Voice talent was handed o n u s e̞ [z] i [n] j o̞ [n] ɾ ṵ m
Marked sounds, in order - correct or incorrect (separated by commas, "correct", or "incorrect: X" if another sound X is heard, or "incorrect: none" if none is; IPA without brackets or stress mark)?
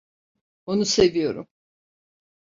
incorrect: v, incorrect: none, incorrect: none